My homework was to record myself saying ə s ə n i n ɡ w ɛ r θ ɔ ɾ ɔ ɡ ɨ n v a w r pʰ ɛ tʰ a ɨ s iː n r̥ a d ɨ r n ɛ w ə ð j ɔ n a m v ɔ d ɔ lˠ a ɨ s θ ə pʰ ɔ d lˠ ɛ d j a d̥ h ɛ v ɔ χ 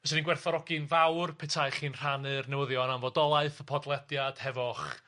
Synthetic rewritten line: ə s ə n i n ɡ w ɛ r θ ɔ ɾ ɔ ɡ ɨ n v a w r pʰ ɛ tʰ a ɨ χ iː n r̥ a n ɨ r n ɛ w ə ð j ɔ n a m v ɔ d ɔ lˠ a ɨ θ ə pʰ ɔ d lˠ ɛ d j a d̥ h ɛ v ɔ χ